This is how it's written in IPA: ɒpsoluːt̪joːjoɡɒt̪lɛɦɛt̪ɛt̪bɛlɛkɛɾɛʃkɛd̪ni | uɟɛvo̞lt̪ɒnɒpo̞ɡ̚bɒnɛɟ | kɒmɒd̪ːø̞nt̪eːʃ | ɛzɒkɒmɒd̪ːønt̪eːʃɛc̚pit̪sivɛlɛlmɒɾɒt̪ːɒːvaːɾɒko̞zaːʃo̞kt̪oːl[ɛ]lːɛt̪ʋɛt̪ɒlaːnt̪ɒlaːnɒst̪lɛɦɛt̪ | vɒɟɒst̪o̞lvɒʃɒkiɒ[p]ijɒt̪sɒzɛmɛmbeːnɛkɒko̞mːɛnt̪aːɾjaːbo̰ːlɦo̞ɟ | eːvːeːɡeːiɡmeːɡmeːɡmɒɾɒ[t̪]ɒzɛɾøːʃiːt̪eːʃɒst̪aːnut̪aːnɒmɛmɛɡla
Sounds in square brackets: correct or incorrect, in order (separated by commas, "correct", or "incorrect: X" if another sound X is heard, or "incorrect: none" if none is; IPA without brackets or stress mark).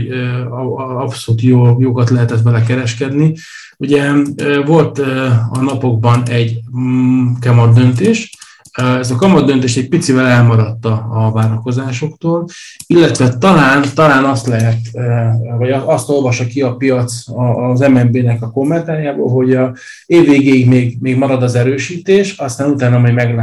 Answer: incorrect: i, correct, incorrect: d̪